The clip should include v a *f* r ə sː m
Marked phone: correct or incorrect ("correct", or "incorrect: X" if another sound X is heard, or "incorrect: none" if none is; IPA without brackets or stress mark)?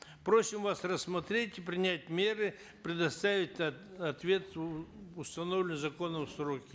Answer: incorrect: s